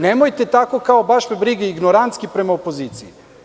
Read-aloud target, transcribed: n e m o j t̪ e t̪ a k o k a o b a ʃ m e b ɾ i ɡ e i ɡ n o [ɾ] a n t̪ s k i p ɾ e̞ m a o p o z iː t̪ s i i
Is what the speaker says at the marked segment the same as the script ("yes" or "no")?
yes